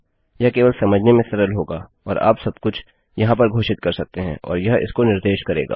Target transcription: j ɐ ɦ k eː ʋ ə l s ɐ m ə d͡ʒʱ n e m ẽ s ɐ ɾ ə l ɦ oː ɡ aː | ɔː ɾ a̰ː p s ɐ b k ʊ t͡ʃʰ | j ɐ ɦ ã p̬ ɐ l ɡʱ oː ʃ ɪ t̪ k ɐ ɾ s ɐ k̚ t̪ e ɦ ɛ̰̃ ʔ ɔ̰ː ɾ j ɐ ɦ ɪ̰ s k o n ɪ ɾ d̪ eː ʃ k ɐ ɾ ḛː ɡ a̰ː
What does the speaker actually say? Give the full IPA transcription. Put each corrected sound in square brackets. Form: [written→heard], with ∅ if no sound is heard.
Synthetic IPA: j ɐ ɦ k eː ʋ ə l s ɐ m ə d͡ʒʱ n e m ẽ s ɐ ɾ ə l ɦ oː ɡ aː | ɔː ɾ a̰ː p s ɐ b k ʊ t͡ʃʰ | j ɐ ɦ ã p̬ ɐ [l→ɾ] ɡʱ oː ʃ ɪ t̪ k ɐ ɾ s ɐ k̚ t̪ e ɦ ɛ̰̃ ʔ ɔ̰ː ɾ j ɐ ɦ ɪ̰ s k o n ɪ ɾ d̪ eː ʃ k ɐ ɾ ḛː ɡ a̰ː